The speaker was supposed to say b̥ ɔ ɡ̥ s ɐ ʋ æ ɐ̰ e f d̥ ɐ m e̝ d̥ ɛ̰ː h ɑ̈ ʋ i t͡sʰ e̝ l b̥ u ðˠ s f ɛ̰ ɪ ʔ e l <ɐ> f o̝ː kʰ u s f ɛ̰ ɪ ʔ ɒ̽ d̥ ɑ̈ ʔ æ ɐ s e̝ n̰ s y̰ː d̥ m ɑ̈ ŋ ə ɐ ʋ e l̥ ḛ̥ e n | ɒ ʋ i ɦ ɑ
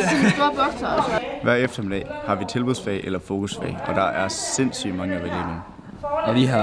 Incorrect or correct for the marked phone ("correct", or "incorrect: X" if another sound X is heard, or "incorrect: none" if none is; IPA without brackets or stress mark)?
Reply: correct